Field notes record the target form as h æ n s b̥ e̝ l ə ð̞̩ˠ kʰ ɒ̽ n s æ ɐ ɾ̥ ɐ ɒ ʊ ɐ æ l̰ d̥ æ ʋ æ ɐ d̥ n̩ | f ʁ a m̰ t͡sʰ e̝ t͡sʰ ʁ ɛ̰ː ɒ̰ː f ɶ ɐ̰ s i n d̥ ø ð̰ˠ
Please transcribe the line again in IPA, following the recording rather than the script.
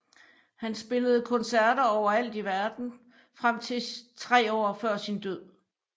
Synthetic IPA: h æ n s b̥ e̝ l ə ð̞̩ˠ kʰ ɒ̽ n s æ ɐ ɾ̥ ɐ ɒ ʊ ɐ æ l̰ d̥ i ʋ æ ɐ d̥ n̩ | f ʁ a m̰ t͡sʰ e̝ t͡sʰ ʁ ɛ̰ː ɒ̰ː f ɶ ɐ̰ s i n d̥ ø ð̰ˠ